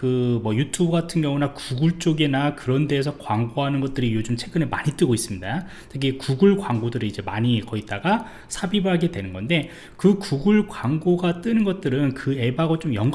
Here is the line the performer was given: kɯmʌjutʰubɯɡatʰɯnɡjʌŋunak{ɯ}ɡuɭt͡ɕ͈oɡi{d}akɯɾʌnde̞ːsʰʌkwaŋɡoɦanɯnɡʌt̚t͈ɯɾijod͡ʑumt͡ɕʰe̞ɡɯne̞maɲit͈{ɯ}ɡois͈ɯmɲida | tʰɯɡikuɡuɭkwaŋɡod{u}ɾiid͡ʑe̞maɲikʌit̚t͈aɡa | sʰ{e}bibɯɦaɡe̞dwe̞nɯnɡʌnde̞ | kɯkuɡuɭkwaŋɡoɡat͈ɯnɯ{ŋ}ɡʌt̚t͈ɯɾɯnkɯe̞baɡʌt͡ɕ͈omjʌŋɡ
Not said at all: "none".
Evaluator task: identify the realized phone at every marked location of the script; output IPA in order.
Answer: u, n, ɯ, ɯ, a, n

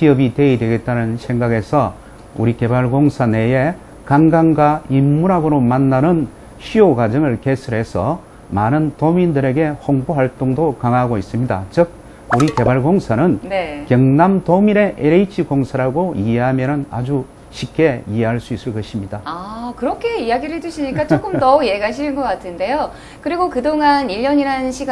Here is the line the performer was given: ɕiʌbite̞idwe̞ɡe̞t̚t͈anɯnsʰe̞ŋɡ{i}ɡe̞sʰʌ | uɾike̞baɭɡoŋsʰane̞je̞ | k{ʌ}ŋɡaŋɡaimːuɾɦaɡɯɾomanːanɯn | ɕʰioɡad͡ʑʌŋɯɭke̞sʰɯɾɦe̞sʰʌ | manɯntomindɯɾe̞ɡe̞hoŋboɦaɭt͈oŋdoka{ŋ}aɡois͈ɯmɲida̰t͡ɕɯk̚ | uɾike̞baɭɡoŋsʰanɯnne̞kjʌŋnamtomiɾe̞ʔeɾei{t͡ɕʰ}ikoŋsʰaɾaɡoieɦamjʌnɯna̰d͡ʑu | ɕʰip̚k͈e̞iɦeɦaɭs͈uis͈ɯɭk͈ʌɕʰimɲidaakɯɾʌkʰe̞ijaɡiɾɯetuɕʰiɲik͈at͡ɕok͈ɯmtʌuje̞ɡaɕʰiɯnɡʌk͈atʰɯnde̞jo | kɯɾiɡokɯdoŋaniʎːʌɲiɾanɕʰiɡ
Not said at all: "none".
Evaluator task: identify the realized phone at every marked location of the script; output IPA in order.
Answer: a, a, ŋ, t͡ɕʰ

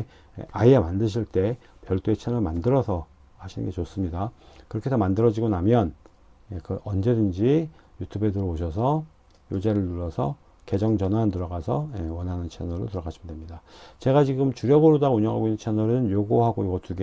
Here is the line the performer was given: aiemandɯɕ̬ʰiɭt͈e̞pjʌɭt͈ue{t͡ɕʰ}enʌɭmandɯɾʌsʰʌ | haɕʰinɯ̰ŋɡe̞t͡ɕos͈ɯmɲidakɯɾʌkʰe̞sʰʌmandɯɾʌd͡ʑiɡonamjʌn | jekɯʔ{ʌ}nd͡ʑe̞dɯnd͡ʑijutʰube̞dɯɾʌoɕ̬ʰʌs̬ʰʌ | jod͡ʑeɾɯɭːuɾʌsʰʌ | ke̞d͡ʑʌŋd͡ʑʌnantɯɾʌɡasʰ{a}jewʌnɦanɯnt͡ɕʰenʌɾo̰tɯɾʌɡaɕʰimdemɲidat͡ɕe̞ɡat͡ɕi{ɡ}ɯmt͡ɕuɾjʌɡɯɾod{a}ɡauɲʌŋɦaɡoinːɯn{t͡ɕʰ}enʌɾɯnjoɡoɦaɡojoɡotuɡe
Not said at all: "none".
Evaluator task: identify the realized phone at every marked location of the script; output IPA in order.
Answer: t͡ɕʰ, ʌ, ʌ, ɡ, a, t͡ɕʰ

